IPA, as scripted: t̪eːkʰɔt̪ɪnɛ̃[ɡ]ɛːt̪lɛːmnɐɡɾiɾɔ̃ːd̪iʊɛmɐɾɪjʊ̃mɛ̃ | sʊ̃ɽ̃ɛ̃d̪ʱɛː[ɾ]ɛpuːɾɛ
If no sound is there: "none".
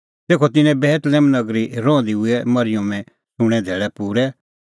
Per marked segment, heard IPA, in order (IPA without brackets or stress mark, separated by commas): b, ɭ